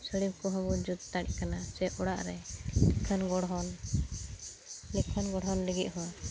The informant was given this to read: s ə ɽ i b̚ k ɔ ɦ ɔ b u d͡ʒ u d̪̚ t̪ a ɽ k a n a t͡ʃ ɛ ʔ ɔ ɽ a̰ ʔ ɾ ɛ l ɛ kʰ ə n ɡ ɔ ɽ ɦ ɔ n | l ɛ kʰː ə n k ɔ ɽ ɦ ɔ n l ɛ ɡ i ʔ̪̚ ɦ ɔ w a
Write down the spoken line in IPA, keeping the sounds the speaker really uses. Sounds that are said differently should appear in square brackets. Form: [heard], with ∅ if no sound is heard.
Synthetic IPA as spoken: s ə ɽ i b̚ k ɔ ɦ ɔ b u d͡ʒ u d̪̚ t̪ a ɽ k a n a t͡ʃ ɛ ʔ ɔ ɽ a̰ ʔ ɾ ɛ l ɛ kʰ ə n ɡ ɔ ɽ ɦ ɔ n | l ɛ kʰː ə n [ɡ] ɔ ɽ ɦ ɔ n l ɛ ɡ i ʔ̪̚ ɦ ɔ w a